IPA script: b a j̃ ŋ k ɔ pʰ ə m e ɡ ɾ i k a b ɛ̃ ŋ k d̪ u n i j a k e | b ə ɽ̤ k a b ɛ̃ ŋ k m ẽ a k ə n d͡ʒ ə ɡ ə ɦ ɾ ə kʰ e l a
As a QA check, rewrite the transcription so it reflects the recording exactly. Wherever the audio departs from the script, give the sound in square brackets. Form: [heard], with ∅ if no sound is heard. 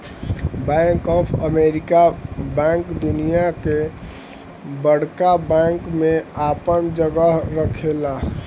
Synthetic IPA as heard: b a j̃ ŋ k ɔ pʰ ə m e [∅] ɾ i k a b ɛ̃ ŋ k d̪ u n i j a k e | b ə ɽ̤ k a b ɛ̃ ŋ k m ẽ a [p] ə n d͡ʒ ə ɡ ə ɦ ɾ ə kʰ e l a